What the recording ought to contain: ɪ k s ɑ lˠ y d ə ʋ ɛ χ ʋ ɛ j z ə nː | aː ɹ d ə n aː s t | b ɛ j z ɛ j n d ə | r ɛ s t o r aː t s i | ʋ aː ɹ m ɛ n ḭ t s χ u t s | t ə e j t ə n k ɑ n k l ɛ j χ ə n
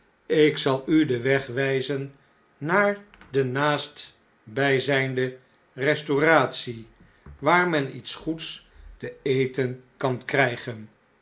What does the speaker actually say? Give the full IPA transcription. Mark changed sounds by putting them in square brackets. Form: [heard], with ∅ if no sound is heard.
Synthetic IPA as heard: ɪ k s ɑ lˠ y d ə ʋ ɛ χ ʋ ɛ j z ə nː | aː ɹ d ə n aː s t | b ɛ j z ɛ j n d ə | r ɛ s t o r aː t s i | ʋ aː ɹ m ɛ n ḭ t s χ u t s | t ə e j t ə n k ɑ n k [r] ɛ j χ ə n